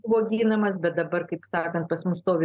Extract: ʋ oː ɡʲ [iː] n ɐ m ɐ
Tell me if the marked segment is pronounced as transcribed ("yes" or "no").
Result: yes